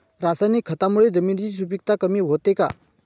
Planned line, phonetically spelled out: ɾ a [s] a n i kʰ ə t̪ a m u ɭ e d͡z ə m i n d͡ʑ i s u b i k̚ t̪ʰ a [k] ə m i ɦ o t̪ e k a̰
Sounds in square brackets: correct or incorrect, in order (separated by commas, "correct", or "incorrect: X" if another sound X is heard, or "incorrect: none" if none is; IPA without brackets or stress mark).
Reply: correct, correct